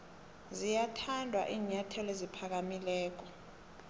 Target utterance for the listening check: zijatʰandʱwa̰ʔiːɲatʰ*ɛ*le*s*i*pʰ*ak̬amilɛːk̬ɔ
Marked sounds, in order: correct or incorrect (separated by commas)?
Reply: correct, incorrect, correct